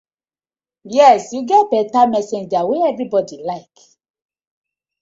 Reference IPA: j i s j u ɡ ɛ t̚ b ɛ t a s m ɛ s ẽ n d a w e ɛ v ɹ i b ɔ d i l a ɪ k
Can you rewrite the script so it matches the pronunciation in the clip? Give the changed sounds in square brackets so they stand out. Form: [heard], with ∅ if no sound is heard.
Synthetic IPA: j [ɛ] s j u ɡ ɛ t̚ b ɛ t a [∅] m ɛ s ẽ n [d͡ʒ] a w e ɛ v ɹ i b ɔ d i l a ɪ k